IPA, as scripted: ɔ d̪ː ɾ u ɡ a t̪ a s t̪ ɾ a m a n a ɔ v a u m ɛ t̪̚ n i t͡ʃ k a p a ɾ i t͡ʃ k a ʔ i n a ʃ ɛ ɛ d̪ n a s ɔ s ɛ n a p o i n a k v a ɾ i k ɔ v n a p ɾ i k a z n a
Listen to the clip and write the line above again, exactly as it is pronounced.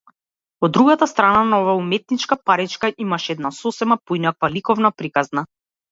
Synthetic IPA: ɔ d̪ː ɾ u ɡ a t̪ a s t̪ ɾ a n a n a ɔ v a u m ɛ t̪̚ n i t͡ʃ k a p a ɾ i t͡ʃ k a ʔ i m a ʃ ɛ ɛ d̪ n a s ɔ s ɛ m a p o i n a k v a l i k ɔ v n a p ɾ i k a z n a